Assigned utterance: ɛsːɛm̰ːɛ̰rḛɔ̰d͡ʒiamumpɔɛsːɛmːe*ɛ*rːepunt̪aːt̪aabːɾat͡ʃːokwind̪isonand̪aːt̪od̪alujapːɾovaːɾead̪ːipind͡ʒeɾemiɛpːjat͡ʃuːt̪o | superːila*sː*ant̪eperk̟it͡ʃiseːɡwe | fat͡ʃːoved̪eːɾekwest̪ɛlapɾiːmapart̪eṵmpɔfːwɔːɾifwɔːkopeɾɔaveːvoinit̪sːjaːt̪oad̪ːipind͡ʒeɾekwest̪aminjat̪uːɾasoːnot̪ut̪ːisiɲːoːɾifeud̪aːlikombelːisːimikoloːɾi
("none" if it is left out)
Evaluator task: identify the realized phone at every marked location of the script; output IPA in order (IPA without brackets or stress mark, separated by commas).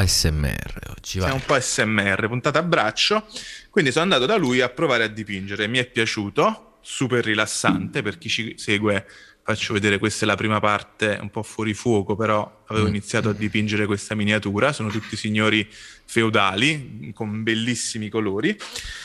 ɛ, sː